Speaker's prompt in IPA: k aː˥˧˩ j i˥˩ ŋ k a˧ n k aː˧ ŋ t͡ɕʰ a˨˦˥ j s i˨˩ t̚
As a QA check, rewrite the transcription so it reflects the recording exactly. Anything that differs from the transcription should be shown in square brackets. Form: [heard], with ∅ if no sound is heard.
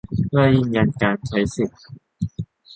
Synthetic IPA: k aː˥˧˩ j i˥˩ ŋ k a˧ n k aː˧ [n] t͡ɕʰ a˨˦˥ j s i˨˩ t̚